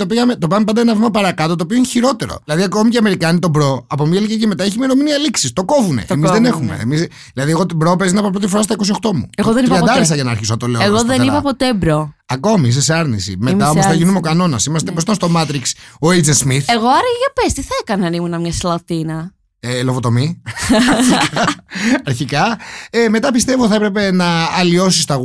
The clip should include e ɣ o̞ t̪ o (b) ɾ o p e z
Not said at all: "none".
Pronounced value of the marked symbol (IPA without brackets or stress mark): b